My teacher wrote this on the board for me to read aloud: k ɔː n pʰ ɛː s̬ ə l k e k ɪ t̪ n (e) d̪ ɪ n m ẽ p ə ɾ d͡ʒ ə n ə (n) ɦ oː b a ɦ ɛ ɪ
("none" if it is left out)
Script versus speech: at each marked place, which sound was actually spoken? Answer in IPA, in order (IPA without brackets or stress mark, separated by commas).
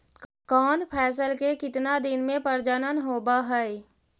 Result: a, n